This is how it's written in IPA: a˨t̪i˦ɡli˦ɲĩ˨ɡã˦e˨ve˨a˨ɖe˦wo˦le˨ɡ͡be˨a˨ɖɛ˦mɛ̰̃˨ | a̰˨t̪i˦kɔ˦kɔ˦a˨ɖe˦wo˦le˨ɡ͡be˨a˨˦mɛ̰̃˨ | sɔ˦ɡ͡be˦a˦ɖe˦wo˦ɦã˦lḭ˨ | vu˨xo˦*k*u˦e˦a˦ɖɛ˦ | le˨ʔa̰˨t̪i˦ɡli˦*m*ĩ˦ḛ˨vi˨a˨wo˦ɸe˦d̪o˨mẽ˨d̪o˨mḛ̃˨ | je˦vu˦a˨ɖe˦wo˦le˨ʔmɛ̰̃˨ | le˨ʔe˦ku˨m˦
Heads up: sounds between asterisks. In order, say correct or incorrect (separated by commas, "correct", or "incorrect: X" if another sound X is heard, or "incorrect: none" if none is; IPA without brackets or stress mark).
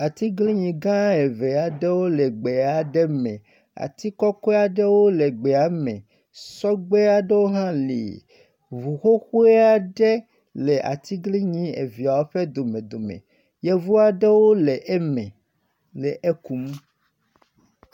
incorrect: x, incorrect: ɲ